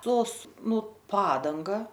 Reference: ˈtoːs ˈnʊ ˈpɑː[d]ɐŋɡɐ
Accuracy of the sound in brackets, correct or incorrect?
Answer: correct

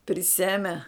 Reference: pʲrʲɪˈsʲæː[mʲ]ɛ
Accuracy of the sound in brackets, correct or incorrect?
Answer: correct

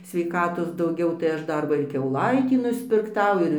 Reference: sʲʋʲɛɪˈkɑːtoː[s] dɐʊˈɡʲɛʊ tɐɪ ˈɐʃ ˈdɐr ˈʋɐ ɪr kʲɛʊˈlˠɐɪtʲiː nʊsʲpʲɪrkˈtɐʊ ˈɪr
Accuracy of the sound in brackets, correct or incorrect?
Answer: correct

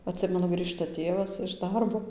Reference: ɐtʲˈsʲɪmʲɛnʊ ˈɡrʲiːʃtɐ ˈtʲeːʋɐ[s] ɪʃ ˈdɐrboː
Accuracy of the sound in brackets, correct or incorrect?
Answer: correct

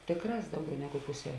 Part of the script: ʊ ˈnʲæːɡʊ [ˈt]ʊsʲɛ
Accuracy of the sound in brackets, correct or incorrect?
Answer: incorrect: p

